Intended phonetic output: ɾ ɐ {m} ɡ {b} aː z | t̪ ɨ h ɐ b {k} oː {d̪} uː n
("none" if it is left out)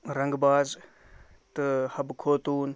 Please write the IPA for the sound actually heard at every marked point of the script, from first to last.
ŋ, b, kʰ, t̪

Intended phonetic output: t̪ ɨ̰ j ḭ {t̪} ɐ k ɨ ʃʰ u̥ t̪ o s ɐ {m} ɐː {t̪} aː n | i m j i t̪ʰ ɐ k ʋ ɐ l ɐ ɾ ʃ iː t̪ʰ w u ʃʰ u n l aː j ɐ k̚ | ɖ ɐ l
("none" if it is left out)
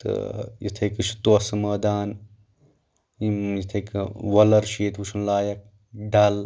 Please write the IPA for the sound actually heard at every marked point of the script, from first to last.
t̪ʰ, m, d̪

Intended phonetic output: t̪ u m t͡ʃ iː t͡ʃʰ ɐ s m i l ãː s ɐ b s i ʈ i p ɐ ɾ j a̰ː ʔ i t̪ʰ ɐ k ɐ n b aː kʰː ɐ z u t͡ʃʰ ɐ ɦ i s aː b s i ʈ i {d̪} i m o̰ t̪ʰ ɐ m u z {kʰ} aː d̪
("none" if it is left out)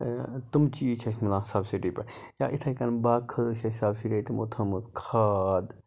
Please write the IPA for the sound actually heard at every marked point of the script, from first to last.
t̪, kʰ

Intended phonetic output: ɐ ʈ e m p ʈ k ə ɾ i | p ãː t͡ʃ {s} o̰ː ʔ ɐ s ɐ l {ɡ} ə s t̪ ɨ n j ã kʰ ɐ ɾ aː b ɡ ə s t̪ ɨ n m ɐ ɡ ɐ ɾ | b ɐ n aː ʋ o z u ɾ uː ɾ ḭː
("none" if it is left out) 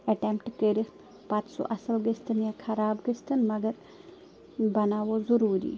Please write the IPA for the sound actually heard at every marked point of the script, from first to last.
s, ɡ

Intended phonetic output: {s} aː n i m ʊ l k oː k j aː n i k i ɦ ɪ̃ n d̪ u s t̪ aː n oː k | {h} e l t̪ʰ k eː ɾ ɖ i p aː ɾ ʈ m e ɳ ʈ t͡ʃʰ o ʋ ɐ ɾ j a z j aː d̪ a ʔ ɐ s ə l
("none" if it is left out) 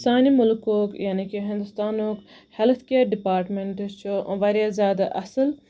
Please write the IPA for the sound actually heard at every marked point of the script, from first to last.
s, h

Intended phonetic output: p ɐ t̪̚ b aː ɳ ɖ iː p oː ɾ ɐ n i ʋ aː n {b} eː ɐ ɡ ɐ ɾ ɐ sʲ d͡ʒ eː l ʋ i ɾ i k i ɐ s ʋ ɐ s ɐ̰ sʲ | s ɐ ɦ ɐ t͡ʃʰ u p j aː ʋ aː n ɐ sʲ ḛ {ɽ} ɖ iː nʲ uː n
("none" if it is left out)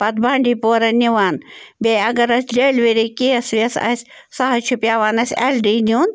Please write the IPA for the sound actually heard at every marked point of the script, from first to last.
b, l

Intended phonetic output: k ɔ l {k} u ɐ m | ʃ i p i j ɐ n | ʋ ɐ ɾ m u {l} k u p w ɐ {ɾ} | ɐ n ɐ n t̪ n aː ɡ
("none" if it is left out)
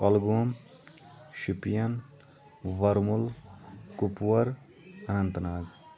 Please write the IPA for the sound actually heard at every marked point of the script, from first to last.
ɡ, l, ɾ

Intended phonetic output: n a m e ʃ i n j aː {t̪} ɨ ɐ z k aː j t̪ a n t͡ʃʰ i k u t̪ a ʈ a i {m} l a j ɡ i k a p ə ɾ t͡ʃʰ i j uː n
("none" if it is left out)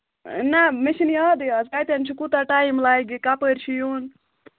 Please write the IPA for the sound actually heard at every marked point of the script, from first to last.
d̪, m

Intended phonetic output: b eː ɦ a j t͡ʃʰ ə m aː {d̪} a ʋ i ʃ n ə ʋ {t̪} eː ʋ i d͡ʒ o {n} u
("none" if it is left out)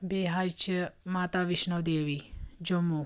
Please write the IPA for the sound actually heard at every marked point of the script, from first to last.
t̪, d̪, m

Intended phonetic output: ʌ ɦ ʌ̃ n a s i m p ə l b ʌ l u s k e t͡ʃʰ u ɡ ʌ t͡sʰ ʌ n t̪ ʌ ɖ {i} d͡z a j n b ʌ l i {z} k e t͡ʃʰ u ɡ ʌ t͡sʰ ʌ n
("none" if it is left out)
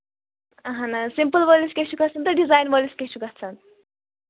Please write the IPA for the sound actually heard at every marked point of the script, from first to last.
i, s

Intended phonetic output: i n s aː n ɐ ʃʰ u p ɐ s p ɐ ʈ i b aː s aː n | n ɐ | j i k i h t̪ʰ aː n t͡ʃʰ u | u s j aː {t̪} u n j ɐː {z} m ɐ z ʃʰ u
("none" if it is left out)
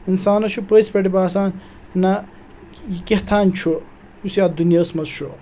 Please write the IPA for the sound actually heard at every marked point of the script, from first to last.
d̪, s

